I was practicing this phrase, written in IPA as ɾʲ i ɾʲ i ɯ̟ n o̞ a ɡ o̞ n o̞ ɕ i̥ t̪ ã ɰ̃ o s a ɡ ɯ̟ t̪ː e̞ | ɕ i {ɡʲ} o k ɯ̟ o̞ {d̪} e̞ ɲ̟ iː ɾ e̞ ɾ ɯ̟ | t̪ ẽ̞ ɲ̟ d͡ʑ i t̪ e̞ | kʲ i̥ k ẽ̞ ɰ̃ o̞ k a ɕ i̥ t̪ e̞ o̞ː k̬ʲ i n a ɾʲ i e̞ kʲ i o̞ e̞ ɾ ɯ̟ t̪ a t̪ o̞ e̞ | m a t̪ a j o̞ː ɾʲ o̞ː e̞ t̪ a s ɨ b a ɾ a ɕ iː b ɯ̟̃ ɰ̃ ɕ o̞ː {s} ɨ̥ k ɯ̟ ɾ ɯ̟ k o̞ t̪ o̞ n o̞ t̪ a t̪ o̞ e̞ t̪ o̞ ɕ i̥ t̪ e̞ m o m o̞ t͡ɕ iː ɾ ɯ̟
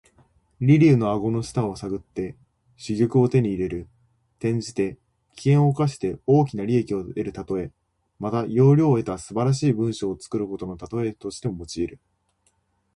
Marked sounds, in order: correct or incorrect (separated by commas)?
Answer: correct, incorrect, incorrect